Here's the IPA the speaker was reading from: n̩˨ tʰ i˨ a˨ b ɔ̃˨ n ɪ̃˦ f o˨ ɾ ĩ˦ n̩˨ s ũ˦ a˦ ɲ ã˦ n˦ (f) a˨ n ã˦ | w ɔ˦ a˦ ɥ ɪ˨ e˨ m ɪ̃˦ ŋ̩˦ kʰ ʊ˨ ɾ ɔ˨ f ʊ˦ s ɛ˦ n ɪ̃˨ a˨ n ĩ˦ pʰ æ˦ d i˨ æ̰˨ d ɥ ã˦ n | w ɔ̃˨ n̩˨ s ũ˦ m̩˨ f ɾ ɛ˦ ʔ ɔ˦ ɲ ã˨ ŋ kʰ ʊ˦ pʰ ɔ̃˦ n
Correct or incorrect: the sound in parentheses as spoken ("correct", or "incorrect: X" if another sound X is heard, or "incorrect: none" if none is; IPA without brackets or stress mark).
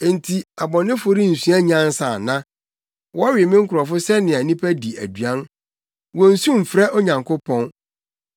incorrect: s